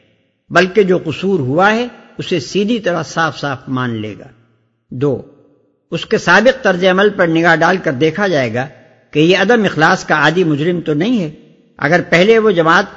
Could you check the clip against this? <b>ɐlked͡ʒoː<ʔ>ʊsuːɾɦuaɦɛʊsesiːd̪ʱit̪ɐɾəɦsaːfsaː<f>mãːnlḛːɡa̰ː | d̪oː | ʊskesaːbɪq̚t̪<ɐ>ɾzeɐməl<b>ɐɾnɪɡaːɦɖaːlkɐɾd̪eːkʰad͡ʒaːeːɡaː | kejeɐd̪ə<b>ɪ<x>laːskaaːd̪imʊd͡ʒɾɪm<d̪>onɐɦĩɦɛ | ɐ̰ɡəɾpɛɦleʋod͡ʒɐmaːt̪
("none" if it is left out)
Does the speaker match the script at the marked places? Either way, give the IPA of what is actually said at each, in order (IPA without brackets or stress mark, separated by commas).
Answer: b, q, f, ɐ, p, m, x, t̪